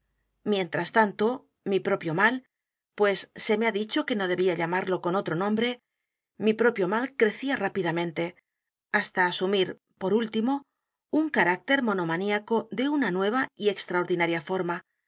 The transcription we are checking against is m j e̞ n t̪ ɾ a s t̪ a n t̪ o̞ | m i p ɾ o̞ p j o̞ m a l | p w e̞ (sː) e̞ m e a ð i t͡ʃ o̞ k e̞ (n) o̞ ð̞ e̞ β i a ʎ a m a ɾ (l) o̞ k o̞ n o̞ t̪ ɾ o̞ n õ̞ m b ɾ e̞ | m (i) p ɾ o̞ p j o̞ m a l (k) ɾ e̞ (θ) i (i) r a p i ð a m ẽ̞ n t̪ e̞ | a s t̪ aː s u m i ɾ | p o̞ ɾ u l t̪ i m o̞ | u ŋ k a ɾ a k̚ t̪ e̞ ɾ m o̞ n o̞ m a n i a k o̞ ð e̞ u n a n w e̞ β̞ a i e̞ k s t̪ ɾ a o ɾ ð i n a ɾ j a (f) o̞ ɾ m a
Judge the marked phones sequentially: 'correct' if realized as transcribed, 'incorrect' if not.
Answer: correct, correct, correct, correct, correct, correct, incorrect: a, correct

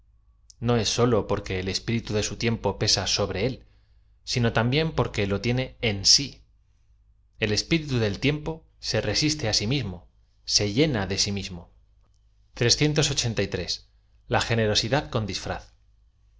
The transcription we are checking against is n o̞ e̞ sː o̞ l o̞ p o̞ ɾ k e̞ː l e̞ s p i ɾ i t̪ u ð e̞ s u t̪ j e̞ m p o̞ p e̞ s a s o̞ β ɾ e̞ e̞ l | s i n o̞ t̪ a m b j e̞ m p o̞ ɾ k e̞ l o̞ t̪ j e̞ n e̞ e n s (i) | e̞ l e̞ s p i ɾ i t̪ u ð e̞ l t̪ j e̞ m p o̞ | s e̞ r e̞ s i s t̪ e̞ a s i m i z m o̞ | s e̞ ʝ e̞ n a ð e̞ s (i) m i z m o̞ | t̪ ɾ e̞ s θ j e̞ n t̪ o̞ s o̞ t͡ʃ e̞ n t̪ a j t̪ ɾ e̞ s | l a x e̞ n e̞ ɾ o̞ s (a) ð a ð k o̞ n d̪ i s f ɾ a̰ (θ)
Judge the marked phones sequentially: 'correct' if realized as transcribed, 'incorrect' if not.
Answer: correct, correct, incorrect: i, correct

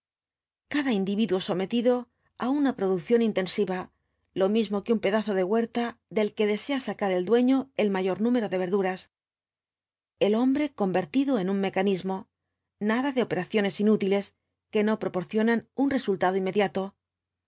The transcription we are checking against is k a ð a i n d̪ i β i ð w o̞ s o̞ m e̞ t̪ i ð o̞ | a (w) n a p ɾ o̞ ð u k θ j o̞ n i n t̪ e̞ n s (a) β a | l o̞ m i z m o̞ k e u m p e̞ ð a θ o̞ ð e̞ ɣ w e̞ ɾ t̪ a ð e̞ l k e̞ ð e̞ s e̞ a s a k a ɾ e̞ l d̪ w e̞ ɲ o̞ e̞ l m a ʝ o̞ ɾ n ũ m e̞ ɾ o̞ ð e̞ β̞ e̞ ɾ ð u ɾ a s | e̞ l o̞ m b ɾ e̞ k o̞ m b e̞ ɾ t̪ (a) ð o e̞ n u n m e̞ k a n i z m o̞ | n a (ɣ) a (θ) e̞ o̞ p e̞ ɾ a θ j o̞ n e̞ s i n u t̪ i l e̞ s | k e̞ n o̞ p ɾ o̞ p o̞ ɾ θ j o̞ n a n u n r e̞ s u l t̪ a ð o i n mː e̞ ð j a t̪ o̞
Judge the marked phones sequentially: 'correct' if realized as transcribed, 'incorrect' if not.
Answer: incorrect: u, incorrect: i, incorrect: i, incorrect: ð, incorrect: ð

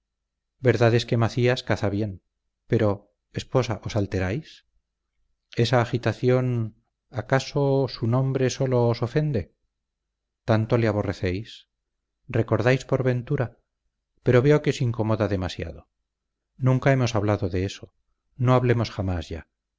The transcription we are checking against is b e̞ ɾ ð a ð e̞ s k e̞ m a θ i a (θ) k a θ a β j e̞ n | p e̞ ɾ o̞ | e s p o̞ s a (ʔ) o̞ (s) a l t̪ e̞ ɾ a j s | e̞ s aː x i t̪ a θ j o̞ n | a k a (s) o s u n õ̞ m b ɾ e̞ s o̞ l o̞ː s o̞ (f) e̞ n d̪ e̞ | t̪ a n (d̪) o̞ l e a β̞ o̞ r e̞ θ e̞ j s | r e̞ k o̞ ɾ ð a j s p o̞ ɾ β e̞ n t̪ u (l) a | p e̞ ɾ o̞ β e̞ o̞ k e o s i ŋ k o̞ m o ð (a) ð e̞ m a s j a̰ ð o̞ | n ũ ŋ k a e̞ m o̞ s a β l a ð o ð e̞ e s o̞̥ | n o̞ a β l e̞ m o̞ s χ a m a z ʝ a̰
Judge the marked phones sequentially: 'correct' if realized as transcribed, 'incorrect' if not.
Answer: incorrect: s, correct, correct, correct, correct, incorrect: t̪, incorrect: ɾ, correct

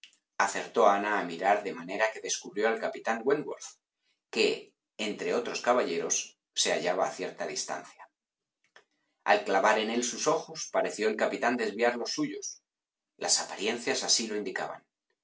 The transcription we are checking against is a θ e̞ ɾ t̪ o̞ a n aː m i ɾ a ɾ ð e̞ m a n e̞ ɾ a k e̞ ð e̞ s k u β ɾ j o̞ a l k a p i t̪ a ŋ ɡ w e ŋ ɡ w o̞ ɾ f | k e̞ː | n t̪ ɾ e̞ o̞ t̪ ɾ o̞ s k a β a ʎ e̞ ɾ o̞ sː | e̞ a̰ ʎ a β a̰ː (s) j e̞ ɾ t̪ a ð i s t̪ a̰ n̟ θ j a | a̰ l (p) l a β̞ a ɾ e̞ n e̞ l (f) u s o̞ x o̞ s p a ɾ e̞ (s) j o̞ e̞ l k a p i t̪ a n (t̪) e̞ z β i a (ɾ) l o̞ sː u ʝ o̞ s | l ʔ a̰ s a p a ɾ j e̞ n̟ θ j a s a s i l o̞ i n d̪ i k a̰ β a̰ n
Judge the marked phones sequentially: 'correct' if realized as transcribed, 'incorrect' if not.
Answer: incorrect: θ, incorrect: k, incorrect: s, incorrect: θ, incorrect: d̪, correct

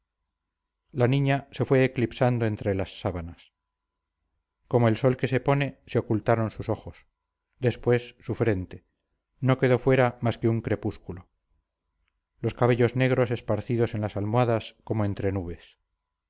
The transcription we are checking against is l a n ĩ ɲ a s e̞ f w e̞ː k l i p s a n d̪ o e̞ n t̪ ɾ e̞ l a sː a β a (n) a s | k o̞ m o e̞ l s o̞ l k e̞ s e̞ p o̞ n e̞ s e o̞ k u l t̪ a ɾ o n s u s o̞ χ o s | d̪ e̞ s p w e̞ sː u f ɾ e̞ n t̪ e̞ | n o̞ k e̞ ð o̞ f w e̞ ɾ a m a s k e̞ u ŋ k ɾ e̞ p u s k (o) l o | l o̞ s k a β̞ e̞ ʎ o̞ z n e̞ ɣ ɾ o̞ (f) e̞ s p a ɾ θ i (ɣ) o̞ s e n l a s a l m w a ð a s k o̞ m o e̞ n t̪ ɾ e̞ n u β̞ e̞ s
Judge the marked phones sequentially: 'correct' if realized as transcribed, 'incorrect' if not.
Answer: correct, incorrect: u, incorrect: s, incorrect: ð

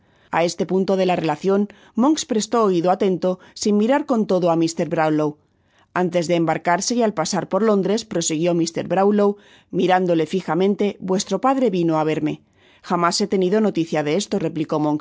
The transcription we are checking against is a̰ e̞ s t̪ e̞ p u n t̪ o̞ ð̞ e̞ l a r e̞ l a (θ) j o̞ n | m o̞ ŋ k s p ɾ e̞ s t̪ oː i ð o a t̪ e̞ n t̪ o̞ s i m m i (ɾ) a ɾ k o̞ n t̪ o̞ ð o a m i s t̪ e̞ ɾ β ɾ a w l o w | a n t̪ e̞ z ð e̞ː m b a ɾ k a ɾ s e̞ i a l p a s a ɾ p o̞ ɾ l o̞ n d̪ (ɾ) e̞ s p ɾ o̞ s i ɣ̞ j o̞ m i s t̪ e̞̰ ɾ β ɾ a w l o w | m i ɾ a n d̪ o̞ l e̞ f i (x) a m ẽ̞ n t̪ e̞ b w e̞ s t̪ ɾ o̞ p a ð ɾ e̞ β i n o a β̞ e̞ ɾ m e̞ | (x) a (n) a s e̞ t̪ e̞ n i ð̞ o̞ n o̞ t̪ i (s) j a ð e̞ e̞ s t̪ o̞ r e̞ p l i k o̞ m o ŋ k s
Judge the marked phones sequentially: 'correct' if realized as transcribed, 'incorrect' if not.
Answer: correct, correct, correct, correct, correct, incorrect: m, incorrect: θ

